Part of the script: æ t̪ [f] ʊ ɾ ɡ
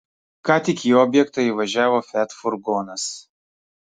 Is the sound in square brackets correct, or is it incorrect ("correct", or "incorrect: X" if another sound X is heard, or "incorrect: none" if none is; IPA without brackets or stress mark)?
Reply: correct